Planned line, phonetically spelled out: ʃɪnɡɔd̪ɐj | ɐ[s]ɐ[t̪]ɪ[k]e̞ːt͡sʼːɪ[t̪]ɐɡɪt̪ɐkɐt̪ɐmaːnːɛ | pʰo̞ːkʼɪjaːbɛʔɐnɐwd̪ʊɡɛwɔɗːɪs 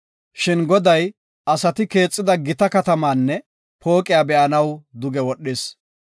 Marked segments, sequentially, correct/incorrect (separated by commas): correct, correct, correct, incorrect